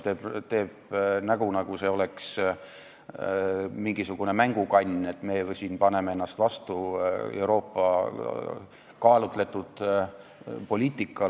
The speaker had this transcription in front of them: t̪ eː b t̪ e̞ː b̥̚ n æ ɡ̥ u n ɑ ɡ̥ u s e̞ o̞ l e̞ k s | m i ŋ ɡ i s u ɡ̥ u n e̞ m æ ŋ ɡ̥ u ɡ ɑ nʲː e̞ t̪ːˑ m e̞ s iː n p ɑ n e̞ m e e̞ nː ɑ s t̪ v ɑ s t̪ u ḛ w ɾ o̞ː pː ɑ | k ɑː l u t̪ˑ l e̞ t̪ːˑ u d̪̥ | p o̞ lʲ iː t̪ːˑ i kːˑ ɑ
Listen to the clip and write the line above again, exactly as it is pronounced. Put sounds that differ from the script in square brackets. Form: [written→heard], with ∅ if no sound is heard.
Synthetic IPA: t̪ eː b t̪ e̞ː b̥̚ n æ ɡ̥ u n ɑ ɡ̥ u s e̞ o̞ l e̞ k s | m i ŋ ɡ i s u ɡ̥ u n e̞ m æ ŋ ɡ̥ u [ɡ→k] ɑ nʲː e̞ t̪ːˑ m e̞ s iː n p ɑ n e̞ m e e̞ nː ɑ s t̪ v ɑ s t̪ u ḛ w ɾ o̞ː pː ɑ | k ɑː l u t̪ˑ l e̞ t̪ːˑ u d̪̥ | p o̞ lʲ iː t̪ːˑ i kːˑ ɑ